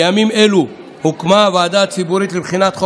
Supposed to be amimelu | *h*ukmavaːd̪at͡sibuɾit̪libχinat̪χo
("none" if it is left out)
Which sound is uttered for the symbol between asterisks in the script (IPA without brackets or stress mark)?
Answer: h